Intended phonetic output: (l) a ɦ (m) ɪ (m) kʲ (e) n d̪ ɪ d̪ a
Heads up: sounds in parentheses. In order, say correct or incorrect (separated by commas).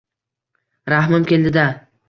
incorrect, correct, correct, correct